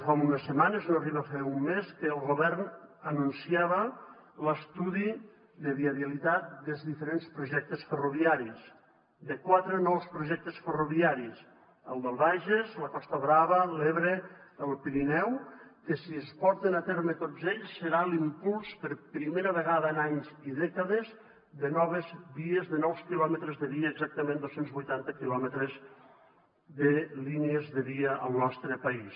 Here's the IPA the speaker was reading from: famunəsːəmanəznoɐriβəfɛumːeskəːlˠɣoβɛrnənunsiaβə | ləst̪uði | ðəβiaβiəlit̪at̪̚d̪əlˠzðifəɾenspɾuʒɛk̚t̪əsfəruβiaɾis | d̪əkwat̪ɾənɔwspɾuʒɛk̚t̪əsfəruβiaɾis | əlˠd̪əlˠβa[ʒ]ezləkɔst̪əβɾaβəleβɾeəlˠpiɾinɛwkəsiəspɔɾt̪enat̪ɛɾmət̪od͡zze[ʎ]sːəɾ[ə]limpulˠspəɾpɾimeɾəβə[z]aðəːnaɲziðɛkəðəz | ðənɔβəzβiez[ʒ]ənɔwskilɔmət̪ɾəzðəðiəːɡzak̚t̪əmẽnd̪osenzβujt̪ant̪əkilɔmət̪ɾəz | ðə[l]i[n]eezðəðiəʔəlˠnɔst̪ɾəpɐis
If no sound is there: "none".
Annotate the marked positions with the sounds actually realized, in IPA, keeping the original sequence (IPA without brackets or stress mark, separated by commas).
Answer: ʒ, ʎ, a, ɣ, ð, l, n